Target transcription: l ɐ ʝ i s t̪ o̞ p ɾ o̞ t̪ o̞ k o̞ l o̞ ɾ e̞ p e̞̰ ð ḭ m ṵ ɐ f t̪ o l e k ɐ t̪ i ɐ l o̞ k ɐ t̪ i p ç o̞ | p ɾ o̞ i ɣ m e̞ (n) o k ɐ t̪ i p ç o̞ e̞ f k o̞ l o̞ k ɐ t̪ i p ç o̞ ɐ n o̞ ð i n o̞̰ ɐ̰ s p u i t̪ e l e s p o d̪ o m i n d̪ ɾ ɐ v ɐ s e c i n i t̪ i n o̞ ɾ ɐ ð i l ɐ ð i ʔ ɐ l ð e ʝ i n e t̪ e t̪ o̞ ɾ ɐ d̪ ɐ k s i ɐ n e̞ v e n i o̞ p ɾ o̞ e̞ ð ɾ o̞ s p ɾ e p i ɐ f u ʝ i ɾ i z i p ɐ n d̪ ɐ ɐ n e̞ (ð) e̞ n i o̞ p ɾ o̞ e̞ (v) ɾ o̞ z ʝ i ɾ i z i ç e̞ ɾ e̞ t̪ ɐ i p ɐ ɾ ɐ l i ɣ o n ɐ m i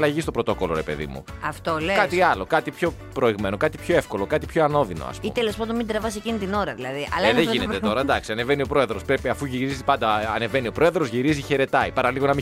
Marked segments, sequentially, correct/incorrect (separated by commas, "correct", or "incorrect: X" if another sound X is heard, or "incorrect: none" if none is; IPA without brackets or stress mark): correct, incorrect: v, incorrect: ð